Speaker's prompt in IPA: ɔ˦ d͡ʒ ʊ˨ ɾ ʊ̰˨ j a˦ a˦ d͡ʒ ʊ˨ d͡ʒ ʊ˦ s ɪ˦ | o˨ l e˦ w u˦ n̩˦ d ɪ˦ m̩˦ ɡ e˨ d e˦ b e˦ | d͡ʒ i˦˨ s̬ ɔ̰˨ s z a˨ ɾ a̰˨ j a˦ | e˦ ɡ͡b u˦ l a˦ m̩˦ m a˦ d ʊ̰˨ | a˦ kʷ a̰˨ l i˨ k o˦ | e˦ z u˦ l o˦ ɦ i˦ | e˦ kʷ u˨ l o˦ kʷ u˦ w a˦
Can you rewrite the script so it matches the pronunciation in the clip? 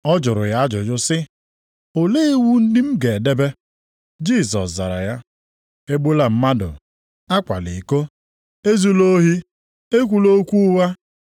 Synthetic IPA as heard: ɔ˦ d͡ʒ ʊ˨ ɾ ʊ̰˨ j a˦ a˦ d͡ʒ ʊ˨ d͡ʒ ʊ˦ s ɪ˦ | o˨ l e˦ w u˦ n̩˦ d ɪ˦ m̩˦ ɡ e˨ d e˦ b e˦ | d͡ʒ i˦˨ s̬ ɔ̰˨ s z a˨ ɾ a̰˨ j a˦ | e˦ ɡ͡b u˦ l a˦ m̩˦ m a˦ d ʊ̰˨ | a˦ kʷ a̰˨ l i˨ k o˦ | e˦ z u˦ l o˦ ɦ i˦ | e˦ kʷ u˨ l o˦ kʷ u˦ w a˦

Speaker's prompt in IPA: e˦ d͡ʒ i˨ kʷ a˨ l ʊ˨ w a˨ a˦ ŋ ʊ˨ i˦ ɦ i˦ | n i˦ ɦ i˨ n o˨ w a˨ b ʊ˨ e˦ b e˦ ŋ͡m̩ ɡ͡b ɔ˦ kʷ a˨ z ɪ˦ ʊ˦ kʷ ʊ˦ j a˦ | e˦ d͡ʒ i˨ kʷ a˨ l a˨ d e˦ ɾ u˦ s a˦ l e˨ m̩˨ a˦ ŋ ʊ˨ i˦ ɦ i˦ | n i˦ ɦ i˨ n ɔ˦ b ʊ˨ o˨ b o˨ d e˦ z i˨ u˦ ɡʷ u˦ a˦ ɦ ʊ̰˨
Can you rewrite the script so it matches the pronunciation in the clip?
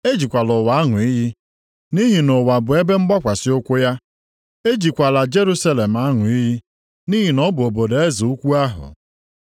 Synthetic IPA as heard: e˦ d͡ʒ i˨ kʷ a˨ l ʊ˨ w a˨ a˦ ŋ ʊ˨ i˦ ɦ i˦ | n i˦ ɦ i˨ n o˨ w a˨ b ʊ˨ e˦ b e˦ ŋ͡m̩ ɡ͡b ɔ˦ kʷ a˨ s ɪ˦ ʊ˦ kʷ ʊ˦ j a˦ | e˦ d͡ʒ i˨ kʷ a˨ l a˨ d͡ʒ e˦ ɾ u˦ s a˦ l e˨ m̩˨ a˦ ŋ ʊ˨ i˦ ɦ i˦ | n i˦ ɦ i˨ n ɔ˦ b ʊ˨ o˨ b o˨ d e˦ z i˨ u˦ kʷ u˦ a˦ ɦ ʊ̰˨

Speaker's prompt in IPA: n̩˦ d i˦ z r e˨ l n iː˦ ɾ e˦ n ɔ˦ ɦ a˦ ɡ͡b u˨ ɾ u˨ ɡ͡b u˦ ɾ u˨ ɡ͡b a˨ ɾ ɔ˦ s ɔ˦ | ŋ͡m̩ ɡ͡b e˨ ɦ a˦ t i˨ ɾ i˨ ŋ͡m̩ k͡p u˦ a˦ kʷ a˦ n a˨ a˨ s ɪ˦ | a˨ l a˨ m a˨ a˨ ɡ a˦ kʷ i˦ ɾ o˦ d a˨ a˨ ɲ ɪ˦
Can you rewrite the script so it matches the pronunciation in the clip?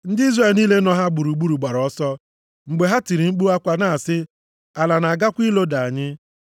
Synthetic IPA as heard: n̩˦ d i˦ z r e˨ l n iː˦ l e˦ n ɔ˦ ɦ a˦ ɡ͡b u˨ ɾ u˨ ɡ͡b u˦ ɾ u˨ ɡ͡b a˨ ɾ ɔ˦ s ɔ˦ | ŋ͡m̩ ɡ͡b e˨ ɦ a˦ t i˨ ɾ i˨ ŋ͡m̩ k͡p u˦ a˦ kʷ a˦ n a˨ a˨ s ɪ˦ | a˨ l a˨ n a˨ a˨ ɡ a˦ kʷ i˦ l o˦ d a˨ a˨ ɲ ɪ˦

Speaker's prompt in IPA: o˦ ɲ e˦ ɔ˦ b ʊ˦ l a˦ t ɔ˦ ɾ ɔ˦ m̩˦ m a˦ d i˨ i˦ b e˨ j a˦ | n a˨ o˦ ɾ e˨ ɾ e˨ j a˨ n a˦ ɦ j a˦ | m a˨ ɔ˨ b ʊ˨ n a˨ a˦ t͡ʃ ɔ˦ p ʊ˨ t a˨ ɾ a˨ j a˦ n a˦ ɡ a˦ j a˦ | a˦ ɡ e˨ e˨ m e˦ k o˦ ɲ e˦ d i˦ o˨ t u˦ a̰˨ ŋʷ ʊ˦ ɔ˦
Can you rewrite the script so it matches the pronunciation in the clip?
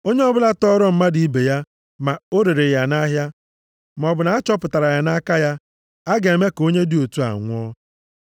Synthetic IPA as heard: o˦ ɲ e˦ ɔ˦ b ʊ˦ l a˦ t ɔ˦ ɾ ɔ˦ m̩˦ m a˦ d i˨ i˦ b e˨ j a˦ | m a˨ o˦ ɾ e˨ ɾ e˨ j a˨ n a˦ ɦ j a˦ | m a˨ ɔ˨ b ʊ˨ n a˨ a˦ t͡ʃ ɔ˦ p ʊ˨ t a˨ ɾ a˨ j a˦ n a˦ k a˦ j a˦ | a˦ ɡ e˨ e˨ m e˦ k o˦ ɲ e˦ d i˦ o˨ t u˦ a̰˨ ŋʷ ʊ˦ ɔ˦

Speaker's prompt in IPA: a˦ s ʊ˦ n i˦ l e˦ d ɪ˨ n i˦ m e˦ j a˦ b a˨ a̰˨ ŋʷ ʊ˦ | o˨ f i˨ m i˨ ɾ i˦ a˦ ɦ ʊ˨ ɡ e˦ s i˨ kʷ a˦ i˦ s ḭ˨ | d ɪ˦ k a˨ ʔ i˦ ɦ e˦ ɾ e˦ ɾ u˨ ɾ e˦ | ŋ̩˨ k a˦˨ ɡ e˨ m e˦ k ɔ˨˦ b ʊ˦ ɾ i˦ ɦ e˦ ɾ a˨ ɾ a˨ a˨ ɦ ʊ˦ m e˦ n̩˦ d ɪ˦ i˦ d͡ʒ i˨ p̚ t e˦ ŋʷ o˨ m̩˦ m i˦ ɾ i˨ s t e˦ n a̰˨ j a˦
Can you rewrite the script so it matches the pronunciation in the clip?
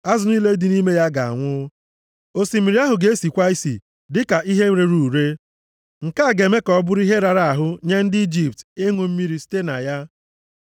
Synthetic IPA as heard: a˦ z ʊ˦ n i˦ l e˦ d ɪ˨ n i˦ m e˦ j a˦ ɡ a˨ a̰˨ ŋʷ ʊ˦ | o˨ s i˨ m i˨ ɾ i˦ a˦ ɦ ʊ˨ ɡ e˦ s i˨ kʷ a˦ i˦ s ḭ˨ | d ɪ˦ k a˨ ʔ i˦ ɦ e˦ ɾ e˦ ɾ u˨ ɾ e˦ | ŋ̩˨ k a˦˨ ɡ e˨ m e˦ k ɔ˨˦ b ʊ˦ ɾ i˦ ɦ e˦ ɾ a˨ ɾ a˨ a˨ ɦ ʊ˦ ɲ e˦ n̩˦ d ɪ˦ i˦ d͡ʒ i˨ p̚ t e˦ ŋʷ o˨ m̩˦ m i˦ ɾ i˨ s t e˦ n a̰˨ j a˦

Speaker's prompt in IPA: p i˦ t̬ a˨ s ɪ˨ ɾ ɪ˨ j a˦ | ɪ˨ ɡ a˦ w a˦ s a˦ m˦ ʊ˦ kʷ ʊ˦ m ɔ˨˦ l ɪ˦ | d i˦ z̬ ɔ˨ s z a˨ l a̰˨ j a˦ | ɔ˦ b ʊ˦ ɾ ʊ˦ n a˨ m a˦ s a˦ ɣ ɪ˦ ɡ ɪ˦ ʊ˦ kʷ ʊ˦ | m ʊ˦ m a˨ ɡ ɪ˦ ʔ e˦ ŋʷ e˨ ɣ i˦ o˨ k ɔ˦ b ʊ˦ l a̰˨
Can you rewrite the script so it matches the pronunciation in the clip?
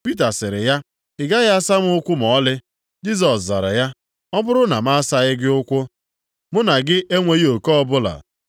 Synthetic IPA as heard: p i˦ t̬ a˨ s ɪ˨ ɾ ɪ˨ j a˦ | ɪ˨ ɡ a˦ ɣ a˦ s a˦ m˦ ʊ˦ kʷ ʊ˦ m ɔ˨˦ l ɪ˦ | d͡ʒ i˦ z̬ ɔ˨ s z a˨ ɾ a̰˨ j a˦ | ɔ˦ b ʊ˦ ɾ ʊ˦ n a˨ m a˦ s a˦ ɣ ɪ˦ ɡ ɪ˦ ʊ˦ kʷ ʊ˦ | m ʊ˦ n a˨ ɡ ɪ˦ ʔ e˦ ŋʷ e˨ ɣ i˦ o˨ k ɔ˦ b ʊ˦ l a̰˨

